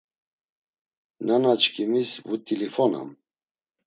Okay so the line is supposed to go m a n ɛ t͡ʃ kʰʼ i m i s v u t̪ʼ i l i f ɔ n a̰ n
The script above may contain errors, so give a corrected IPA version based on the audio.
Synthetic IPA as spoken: n a n a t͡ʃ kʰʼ i m i s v u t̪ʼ i l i f ɔ n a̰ m